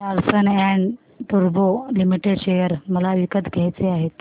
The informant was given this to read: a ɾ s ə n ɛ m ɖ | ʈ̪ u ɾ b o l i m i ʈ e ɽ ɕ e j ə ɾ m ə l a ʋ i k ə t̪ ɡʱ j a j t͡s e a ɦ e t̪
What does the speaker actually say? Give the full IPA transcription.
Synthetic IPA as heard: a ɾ s ə n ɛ ɳ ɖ | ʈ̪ u ɾ b o l i m i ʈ e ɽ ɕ e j ə ɾ m ə l a ʋ i k ə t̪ ɡʱ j a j t͡s e a ɦ e t̪